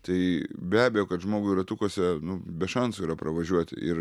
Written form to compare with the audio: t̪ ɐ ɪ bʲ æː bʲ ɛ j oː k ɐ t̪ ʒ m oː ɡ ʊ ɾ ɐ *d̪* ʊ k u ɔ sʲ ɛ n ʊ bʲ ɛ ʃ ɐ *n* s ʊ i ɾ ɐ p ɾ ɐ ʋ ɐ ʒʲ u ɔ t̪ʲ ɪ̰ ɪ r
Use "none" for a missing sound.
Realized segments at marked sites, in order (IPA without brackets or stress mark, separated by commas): t̪, n